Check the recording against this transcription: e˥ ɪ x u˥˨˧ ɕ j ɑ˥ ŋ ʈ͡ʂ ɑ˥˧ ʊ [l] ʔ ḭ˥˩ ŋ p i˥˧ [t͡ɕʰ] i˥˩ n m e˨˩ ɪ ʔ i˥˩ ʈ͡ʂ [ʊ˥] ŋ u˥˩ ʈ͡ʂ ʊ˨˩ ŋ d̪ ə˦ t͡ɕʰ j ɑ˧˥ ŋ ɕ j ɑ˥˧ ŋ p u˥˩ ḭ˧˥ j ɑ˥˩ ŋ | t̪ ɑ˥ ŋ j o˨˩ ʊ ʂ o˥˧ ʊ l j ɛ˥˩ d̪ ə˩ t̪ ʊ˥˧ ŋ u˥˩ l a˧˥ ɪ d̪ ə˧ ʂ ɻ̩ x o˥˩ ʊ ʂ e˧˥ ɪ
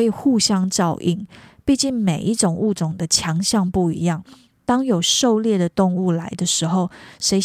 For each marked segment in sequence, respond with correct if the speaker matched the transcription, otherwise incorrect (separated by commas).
incorrect, incorrect, incorrect